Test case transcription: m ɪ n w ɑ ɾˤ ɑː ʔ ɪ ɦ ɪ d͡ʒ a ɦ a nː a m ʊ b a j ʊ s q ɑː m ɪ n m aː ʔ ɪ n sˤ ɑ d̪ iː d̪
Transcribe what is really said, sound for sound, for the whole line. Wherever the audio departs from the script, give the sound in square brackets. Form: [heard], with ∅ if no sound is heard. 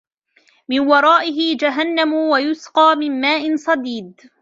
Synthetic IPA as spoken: m ɪ n w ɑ ɾˤ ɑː ʔ ɪ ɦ ɪ d͡ʒ a ɦ a nː a m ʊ [w] a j ʊ s q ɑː m ɪ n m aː ʔ ɪ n sˤ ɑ d̪ iː d̪